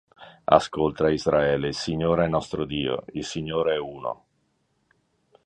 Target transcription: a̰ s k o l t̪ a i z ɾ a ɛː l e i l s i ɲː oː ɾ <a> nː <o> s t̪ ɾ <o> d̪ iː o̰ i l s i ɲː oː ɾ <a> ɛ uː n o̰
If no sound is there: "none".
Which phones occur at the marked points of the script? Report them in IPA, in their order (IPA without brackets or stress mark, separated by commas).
ɛ, ɔ, o, e